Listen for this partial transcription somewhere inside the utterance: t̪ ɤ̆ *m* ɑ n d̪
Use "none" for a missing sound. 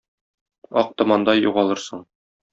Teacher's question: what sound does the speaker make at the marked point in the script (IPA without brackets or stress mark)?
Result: m